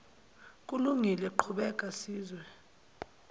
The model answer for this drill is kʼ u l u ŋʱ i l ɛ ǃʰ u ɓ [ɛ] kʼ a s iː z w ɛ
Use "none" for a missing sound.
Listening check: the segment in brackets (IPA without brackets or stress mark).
ɛ